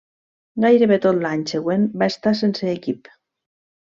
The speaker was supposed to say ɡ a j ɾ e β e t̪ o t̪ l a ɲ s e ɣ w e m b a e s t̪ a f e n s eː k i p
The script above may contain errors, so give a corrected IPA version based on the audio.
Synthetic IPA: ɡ a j ɾ e β e t̪ o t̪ l a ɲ s e ɣ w e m b a e s t̪ a s e n s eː k i p